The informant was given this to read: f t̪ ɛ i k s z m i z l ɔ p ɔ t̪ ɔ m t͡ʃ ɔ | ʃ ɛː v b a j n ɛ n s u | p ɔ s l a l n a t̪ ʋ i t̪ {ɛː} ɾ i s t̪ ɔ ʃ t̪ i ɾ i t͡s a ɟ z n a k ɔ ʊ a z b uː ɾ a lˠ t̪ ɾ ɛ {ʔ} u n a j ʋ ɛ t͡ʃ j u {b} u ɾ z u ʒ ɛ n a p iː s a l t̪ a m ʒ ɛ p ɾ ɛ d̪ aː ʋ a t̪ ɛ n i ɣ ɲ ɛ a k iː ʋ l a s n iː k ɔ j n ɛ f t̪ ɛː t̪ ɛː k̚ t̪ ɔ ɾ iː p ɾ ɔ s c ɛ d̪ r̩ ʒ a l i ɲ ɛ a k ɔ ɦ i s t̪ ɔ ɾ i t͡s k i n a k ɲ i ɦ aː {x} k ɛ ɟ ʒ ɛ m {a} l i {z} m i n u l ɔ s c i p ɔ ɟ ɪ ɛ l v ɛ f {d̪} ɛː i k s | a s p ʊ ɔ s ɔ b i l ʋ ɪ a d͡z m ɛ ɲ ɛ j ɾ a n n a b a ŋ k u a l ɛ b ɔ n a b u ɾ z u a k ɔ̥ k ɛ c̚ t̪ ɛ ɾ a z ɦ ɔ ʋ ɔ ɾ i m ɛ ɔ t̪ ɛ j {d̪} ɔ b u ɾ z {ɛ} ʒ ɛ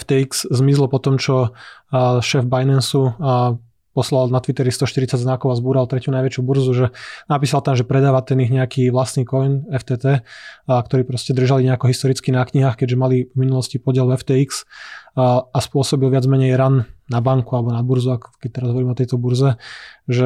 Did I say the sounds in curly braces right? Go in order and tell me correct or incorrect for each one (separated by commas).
incorrect, incorrect, correct, correct, correct, incorrect, incorrect, incorrect, correct